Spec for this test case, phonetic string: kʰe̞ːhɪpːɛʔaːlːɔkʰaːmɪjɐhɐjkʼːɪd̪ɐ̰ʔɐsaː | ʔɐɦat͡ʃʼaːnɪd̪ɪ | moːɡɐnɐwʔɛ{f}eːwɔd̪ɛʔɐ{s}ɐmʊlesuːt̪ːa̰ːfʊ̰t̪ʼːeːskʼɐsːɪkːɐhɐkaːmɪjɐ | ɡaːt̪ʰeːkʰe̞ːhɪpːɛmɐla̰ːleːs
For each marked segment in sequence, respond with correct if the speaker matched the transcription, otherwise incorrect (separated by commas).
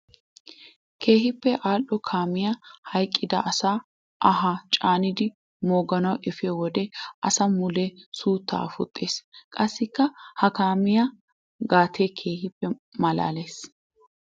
correct, correct